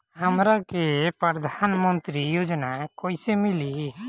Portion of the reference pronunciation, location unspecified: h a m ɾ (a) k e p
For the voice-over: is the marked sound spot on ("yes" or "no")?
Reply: yes